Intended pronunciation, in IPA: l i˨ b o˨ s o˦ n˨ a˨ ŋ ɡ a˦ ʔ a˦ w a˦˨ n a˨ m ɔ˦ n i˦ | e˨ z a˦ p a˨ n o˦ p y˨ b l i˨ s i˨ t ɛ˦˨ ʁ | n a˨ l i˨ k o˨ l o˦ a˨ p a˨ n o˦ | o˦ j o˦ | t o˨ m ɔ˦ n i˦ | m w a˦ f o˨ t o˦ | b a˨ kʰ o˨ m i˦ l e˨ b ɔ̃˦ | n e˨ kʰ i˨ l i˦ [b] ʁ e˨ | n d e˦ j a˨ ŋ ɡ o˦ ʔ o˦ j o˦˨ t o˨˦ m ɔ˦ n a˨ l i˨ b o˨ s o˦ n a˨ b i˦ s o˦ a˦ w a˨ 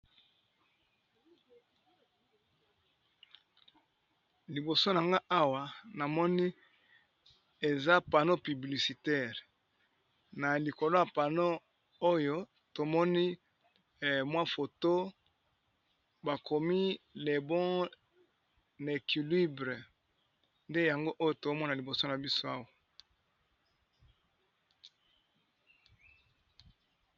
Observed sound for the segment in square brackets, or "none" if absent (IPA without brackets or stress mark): b